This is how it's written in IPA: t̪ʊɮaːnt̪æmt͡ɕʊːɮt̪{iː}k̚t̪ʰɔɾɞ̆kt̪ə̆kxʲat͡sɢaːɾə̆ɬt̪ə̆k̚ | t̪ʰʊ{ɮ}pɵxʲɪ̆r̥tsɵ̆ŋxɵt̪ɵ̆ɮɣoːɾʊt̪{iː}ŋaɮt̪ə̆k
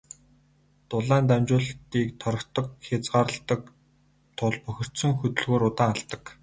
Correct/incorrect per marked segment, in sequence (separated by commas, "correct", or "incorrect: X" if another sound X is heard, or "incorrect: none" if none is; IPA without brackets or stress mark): correct, correct, incorrect: aː